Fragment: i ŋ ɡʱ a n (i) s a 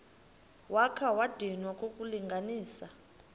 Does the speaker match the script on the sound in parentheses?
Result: no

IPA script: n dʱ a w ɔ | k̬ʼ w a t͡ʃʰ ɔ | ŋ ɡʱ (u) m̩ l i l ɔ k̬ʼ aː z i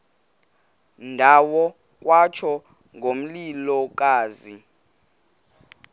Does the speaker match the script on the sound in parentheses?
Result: no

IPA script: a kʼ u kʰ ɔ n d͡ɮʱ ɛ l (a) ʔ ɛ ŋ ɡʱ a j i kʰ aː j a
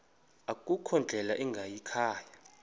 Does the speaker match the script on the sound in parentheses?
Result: yes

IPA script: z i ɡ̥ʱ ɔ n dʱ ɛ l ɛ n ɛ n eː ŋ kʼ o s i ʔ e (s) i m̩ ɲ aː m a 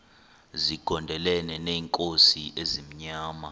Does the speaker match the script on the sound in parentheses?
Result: no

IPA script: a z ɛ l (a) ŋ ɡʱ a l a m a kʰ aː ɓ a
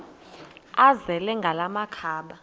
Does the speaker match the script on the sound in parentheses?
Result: no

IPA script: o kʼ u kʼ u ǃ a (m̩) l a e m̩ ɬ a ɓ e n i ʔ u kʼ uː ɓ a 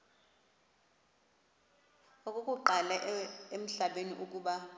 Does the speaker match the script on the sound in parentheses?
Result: no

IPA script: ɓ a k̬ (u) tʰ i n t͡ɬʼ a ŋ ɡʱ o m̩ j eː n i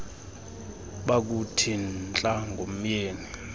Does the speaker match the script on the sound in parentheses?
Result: yes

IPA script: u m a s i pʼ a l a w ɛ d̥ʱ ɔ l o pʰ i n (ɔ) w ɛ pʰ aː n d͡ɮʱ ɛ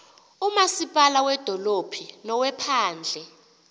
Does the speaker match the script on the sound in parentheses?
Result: yes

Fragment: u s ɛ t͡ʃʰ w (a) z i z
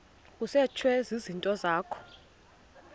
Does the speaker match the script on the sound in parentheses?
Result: no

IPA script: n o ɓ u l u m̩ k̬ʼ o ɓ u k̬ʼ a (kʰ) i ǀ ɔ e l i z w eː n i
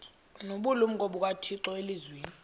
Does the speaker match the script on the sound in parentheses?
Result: no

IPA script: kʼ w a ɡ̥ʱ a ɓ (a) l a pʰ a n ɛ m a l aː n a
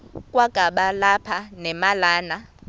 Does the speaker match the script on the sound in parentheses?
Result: yes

